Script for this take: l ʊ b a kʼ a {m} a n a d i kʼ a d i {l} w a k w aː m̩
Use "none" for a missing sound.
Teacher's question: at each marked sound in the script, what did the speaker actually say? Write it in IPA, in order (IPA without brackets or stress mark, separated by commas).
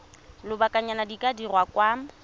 ɲ, r